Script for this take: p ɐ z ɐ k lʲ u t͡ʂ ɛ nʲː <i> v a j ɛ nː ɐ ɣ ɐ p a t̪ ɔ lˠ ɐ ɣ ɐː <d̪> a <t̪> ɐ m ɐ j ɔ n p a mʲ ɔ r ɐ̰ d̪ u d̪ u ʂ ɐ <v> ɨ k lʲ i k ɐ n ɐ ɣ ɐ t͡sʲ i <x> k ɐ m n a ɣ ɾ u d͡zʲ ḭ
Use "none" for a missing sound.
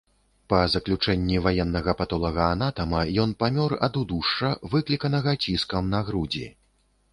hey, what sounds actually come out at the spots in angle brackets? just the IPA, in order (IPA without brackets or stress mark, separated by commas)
i, n̪, t̪, v, s